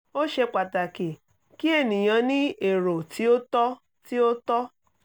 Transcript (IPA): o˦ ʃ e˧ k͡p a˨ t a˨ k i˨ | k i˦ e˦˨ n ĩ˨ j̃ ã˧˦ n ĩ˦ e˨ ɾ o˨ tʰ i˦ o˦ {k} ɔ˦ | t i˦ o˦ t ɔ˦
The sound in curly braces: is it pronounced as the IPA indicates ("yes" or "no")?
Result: no